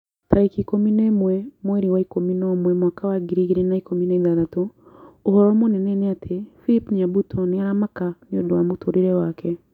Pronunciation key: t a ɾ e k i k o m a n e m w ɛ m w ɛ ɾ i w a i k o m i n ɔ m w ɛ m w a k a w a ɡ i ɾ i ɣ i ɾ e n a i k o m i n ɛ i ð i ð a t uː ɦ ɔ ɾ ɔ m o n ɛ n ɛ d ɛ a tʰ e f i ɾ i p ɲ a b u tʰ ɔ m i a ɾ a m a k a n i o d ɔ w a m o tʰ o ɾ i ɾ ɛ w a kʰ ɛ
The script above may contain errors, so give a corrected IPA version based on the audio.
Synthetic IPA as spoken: t a ɾ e k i k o m i n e m w ɛ m w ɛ ɾ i w a i k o m i n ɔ m w ɛ m w a k a w a ɡ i ɾ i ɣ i ɾ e n a i k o m i n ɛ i ð a ð a t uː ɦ ɔ ɾ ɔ m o n ɛ n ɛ n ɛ a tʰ e f i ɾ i p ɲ a b u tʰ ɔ n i a ɾ a m a k a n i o d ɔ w a m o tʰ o ɾ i ɾ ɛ w a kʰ ɛ